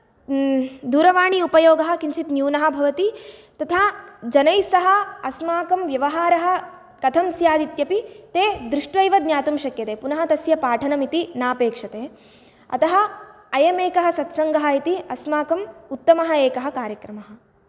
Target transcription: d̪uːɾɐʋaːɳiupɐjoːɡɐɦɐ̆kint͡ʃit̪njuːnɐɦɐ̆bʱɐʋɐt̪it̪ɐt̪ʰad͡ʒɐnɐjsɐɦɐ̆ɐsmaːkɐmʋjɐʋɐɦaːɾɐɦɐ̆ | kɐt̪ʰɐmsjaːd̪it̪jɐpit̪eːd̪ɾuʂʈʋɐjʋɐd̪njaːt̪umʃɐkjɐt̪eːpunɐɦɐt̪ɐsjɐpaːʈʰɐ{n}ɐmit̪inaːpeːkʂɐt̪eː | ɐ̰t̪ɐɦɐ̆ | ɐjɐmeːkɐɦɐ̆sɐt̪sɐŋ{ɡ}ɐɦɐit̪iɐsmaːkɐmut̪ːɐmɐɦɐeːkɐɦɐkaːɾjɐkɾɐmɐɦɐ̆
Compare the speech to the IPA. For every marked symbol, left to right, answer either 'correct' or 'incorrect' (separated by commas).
correct, correct